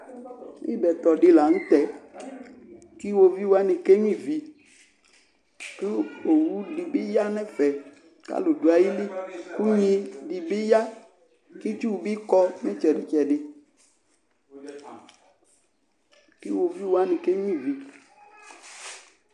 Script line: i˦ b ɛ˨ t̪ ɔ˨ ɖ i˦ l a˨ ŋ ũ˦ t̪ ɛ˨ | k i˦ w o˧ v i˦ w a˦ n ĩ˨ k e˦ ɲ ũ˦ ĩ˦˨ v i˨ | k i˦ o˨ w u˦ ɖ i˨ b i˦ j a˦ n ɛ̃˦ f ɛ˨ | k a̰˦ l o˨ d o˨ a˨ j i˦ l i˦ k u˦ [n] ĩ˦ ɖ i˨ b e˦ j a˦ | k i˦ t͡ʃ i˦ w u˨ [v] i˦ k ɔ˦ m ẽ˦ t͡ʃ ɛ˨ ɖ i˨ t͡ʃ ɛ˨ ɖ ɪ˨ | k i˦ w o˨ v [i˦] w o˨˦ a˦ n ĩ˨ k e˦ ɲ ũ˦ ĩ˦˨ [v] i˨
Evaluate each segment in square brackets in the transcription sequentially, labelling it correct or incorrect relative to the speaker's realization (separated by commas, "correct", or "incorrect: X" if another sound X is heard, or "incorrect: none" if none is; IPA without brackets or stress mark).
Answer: incorrect: ɲ, incorrect: b, correct, correct